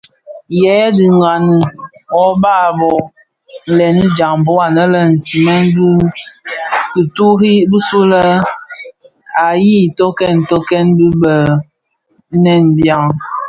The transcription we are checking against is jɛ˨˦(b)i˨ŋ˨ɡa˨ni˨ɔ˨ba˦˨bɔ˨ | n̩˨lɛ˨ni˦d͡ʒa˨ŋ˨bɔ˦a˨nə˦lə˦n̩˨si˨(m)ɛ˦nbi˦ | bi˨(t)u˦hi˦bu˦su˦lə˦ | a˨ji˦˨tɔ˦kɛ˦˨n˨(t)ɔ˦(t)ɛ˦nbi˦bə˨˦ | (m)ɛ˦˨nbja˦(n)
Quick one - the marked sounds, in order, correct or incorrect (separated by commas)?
incorrect, correct, correct, correct, incorrect, incorrect, incorrect